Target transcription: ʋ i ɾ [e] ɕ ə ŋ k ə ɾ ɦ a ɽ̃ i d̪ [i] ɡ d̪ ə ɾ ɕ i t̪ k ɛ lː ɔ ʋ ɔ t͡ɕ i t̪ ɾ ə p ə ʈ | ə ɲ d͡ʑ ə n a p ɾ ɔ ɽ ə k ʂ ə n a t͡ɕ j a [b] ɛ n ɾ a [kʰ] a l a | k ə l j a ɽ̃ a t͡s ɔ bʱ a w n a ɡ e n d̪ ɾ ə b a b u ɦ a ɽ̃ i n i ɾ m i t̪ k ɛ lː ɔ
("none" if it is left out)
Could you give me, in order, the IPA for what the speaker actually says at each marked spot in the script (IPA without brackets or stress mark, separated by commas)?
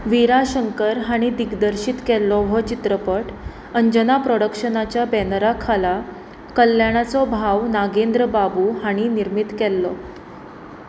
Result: a, i, b, kʰ